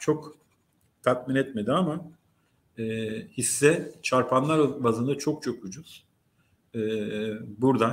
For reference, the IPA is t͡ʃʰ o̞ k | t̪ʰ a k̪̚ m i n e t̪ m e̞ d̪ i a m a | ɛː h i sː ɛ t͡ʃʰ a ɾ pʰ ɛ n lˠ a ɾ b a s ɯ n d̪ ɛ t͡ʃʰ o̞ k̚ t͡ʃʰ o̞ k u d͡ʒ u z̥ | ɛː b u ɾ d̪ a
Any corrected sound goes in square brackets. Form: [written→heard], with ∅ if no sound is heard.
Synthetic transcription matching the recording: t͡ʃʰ o̞ k | t̪ʰ a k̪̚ m i n [e→ɛ] t̪ m e̞ d̪ i a m a | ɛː h i sː ɛ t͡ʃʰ a ɾ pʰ [ɛ→a] n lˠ a ɾ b a [s→z] ɯ n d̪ [ɛ→a] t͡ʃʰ o̞ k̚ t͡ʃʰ o̞ k u d͡ʒ u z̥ | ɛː b u ɾ d̪ a